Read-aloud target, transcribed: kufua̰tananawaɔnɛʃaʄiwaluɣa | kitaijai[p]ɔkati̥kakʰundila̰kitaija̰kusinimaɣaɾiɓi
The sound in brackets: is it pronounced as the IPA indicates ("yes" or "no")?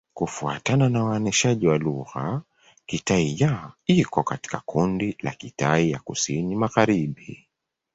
no